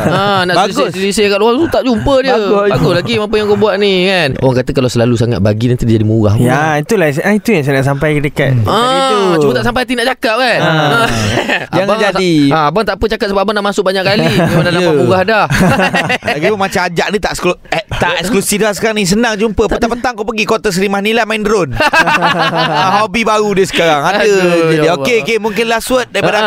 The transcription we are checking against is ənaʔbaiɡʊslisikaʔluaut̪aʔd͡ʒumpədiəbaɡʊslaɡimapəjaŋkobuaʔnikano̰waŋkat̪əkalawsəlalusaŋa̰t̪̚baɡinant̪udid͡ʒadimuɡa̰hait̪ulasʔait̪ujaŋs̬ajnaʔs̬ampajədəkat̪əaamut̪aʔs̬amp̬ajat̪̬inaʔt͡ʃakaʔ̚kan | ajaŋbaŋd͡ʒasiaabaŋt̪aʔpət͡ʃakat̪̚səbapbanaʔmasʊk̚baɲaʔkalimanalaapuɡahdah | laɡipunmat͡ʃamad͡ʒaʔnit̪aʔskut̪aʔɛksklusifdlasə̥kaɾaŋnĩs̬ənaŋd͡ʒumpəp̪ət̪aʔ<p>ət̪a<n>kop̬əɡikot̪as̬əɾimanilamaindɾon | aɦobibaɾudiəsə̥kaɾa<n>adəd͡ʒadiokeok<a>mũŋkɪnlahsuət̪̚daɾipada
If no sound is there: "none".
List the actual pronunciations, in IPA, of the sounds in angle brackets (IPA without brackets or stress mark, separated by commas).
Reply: p, ŋ, ŋ, e